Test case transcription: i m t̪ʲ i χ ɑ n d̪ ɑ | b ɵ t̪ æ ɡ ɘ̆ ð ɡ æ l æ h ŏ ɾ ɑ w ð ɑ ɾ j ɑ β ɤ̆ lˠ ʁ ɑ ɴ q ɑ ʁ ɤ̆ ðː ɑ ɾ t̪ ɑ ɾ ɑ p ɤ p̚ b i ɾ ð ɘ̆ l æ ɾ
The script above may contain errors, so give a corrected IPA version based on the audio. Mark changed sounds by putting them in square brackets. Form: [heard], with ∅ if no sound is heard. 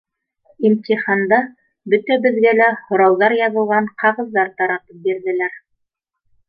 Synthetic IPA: i m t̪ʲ i χ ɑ n d̪ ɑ | b ɵ t̪ æ [b] ɘ̆ ð ɡ æ l æ h ŏ ɾ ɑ w ð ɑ ɾ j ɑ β ɤ̆ lˠ ʁ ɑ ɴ q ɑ ʁ ɤ̆ ðː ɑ ɾ t̪ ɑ ɾ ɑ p ɤ p̚ b i ɾ ð ɘ̆ l æ ɾ